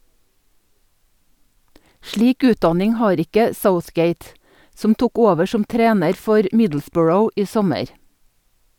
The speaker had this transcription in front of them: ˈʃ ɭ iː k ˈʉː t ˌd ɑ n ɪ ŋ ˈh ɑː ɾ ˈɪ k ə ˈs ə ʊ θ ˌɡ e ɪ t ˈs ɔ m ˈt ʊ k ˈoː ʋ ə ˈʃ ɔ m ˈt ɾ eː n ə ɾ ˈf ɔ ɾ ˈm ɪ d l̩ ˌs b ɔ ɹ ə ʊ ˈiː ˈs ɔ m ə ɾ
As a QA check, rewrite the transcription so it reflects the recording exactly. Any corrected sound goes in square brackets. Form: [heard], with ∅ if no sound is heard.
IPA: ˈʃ ɭ iː k ˈʉː t ˌd ɑ n ɪ ŋ ˈh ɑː ɾ ˈɪ k ə ˈs ə ʊ θ ˌɡ e ɪ t ˈs ɔ m ˈt ʊ k ˈoː ʋ ə ˈʃ ɔ m ˈt ɾ eː n ə ɾ ˈf ɔ ɾ ˈm ɪ d l̩ ˌs b ɔ ɹ ə ʊ ˈiː ˈs ɔ m ə ɾ